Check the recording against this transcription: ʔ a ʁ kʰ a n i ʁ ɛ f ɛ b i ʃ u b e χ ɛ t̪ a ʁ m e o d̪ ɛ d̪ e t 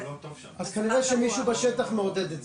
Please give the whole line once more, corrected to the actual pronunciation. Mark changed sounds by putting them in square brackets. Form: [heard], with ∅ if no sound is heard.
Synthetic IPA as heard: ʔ a [z] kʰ a n i ʁ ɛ [ʃ] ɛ [m] i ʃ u b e [ʃ] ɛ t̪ a [χ] m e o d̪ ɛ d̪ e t